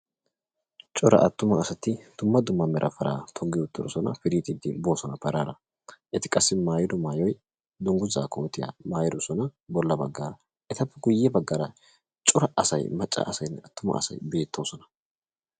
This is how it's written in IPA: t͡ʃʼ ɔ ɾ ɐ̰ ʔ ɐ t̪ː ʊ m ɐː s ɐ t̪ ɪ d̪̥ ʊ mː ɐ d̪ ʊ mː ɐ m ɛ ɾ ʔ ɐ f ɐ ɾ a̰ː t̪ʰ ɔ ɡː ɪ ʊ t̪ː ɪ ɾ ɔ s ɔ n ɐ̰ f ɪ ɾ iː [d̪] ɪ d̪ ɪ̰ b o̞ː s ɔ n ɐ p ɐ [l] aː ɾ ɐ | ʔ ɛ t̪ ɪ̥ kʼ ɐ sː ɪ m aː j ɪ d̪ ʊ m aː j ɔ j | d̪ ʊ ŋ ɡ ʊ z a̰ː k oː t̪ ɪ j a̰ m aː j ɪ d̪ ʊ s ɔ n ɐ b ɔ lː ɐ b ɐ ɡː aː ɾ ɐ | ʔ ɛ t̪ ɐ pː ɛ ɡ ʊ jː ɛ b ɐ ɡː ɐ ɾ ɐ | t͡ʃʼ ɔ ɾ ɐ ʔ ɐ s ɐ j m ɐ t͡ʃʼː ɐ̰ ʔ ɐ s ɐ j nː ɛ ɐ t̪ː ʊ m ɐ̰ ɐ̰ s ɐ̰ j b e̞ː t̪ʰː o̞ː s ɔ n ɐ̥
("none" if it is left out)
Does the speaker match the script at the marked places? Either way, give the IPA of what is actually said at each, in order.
t̪, ɾ

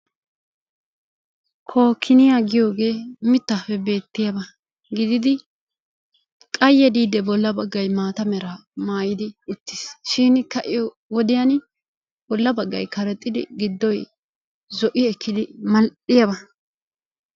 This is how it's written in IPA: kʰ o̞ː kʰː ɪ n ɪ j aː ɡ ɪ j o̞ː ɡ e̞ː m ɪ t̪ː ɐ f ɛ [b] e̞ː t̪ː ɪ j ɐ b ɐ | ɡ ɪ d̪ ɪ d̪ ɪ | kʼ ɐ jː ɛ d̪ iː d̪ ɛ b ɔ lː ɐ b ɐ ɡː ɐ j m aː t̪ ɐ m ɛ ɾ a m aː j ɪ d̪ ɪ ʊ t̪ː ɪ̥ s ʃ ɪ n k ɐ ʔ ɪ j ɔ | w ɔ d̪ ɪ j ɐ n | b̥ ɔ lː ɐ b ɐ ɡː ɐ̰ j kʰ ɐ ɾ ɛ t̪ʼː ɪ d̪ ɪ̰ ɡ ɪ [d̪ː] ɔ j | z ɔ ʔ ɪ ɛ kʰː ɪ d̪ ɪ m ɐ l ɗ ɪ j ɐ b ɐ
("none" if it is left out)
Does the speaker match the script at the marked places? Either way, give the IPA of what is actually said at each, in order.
b, d̪ː

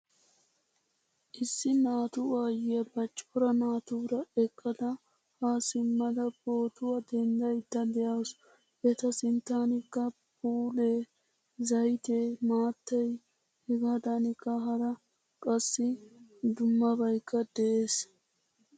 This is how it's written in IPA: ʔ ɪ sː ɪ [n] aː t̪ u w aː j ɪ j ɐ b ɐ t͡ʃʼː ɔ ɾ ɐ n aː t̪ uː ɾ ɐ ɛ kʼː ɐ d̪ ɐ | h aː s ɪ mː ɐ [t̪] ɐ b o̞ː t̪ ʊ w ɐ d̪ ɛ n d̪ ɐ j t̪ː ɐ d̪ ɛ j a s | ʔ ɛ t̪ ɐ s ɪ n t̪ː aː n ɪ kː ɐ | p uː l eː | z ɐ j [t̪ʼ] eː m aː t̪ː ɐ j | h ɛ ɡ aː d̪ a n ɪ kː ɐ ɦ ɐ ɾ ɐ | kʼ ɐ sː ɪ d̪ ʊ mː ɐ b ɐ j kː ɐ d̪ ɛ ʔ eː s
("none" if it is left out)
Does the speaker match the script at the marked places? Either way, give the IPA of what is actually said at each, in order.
n, d̪, t̪

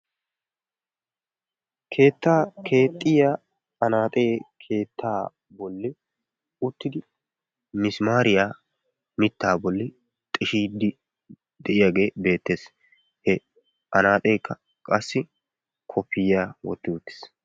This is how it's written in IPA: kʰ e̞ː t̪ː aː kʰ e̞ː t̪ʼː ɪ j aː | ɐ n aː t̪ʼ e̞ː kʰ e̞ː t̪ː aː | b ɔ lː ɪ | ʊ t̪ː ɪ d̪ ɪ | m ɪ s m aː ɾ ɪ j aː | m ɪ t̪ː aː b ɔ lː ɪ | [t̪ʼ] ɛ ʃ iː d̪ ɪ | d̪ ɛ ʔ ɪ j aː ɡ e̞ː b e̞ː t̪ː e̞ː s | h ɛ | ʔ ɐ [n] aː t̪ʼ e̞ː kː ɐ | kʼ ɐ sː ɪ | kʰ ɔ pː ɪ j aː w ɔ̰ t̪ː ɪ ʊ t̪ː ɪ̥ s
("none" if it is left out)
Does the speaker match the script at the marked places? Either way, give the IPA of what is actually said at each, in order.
t̪ʼ, n

